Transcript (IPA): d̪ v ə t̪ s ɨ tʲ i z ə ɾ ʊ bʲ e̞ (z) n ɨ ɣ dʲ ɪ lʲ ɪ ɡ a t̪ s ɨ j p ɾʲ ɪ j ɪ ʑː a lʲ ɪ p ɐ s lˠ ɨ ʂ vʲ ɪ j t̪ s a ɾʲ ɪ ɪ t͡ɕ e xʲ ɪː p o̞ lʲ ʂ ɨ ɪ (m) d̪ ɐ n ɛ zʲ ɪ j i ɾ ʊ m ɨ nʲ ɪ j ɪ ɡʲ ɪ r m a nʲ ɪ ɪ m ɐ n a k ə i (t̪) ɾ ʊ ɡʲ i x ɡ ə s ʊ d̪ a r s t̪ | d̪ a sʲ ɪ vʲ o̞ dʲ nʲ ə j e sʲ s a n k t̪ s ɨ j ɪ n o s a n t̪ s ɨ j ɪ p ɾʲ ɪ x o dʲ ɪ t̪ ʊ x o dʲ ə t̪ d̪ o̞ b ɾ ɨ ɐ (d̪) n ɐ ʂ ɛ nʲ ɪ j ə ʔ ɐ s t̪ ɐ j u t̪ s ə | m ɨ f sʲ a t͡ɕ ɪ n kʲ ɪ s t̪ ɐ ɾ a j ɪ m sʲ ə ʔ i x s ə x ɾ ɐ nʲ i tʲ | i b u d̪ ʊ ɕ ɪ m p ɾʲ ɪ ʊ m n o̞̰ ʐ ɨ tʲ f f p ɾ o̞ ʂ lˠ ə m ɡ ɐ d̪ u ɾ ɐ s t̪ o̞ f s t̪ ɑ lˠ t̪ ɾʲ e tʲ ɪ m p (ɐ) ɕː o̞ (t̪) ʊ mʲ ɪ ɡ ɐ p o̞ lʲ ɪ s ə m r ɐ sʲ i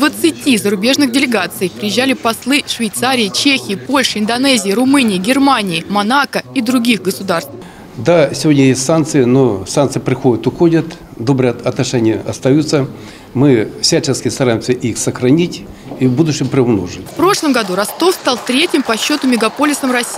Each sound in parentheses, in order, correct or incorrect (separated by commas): incorrect, incorrect, incorrect, incorrect, correct, correct